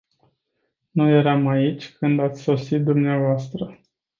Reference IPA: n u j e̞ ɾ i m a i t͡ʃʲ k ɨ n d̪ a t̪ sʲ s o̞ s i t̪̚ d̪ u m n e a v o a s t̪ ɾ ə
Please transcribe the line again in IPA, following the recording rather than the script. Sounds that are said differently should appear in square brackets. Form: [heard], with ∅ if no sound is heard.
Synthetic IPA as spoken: n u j e̞ ɾ [a] m a i t͡ʃʲ k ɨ n d̪ a t̪ sʲ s o̞ s i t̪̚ d̪ u m n e a v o a s t̪ ɾ ə

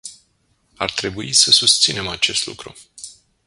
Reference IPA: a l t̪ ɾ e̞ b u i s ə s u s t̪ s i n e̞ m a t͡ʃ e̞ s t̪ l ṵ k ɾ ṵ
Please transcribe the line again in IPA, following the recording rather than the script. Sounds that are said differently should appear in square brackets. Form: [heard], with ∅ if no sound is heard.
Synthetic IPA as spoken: a [r] t̪ ɾ e̞ b u i s ə s u s t̪ s i n e̞ m a t͡ʃ e̞ s t̪ l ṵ k ɾ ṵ

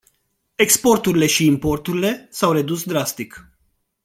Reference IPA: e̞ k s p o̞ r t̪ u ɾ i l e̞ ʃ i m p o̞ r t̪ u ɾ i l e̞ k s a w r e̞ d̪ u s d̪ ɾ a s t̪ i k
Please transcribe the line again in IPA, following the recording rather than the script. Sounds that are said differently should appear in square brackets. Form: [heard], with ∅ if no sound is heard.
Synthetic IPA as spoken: e̞ k s p o̞ r t̪ u ɾ i l e̞ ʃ [iː] m p o̞ r t̪ u ɾ i l e̞ [∅] s a w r e̞ d̪ u s d̪ ɾ a s t̪ i k

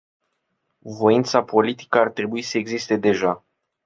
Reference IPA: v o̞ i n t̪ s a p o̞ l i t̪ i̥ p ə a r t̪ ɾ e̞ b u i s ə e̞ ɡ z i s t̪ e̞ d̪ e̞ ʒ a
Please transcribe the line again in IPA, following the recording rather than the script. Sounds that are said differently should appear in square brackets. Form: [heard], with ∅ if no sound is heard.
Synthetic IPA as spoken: v o̞ i n t̪ s a p o̞ l i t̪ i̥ [k] ə a r t̪ ɾ e̞ b u i s ə e̞ ɡ z i s t̪ e̞ d̪ e̞ ʒ a

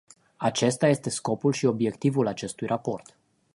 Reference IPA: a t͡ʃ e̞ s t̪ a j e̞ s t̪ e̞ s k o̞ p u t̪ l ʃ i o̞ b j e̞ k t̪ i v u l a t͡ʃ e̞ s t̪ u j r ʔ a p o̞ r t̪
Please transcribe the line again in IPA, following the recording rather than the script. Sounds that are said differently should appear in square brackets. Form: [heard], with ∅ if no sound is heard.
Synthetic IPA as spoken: a t͡ʃ e̞ s t̪ a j e̞ s t̪ e̞ s k o̞ p u [∅] l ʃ i o̞ b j e̞ k t̪ i v u l a t͡ʃ e̞ s t̪ u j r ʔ a p o̞ r t̪

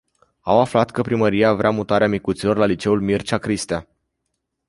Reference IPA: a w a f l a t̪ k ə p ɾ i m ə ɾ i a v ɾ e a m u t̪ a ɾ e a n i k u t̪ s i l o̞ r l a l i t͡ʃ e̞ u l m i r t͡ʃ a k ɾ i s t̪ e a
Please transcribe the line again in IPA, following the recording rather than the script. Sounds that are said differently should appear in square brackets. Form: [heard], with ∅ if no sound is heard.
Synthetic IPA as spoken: a w a f l a t̪ k ə p ɾ i m ə ɾ i a v ɾ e a m u t̪ a ɾ e a [m] i k u t̪ s i l o̞ r l a l i t͡ʃ e̞ u l m i r t͡ʃ a k ɾ i s t̪ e a

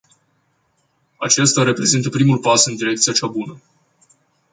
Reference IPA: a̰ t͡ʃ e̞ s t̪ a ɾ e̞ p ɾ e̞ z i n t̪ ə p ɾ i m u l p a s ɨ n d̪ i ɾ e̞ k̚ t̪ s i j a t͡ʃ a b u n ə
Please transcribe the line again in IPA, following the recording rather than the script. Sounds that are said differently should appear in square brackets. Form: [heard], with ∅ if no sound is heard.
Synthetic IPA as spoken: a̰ t͡ʃ e̞ s t̪ a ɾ e̞ p ɾ e̞ z i n t̪ ə p ɾ i m u l p a s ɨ n d̪ i ɾ e̞ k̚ t̪ s i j a t͡ʃ a b u n ə

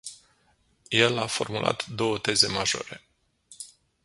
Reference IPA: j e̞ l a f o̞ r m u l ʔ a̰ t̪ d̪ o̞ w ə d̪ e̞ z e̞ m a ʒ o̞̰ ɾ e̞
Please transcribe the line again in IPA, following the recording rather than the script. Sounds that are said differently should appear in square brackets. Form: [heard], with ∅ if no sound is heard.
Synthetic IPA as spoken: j e̞ l a f o̞ r m u l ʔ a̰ t̪ d̪ o̞ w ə [t̪] e̞ z e̞ m a ʒ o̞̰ ɾ e̞

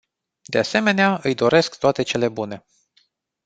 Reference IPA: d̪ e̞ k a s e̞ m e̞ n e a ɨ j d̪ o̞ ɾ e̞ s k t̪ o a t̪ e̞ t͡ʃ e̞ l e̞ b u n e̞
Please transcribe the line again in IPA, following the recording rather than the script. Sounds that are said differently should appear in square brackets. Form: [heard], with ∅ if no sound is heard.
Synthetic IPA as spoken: d̪ e̞ [∅] a s e̞ m e̞ n e a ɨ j d̪ o̞ ɾ e̞ s k t̪ o a t̪ e̞ t͡ʃ e̞ l e̞ b u n e̞

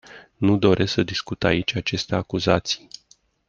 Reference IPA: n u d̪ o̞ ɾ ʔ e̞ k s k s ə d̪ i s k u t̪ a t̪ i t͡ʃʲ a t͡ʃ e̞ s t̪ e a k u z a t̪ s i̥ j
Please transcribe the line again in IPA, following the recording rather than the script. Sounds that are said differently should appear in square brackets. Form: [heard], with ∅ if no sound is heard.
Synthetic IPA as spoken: n u d̪ o̞ ɾ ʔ e̞ [∅] s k s ə d̪ i s k u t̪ a [∅] i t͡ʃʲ a t͡ʃ e̞ s t̪ e a k u z a t̪ s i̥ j

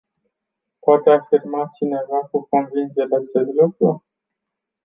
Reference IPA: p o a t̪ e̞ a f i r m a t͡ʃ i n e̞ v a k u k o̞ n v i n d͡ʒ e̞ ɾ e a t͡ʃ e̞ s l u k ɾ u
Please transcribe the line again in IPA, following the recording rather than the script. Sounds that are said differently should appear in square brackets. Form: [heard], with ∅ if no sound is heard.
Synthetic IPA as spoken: p o a t̪ e̞ a f i r m a t͡ʃ i n e̞ v a k u k o̞ n v i n d͡ʒ e̞ ɾ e a t͡ʃ e̞ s l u k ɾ u

